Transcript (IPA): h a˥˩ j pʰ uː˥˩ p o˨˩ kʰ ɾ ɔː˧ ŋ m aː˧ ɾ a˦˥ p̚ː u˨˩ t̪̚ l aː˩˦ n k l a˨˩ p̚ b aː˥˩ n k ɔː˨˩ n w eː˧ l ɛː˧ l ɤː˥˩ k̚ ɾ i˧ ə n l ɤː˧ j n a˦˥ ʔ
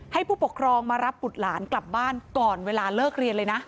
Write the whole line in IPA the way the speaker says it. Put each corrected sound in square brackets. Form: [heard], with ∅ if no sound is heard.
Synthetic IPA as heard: h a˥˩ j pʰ uː˥˩ p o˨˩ kʰ ɾ ɔː˧ ŋ m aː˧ ɾ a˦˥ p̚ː u˨˩ t̪̚ l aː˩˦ n k l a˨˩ p̚ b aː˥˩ n k ɔː˨˩ n w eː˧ l [aː˧] l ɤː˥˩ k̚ ɾ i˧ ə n l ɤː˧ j n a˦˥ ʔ